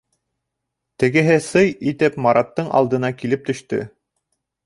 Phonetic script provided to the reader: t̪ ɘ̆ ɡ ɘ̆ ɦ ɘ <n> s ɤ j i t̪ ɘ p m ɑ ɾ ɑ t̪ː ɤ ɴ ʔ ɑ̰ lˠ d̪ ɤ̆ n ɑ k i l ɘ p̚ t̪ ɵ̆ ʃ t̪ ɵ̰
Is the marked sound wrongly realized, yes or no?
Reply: yes